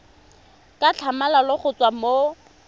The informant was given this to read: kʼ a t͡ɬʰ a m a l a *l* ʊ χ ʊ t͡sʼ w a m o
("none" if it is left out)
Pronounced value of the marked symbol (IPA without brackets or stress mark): l